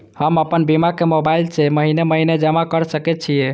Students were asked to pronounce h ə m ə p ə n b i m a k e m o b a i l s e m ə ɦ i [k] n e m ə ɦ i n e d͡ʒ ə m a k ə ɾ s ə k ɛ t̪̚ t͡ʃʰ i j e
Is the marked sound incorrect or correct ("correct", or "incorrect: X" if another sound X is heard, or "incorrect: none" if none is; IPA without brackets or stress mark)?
incorrect: none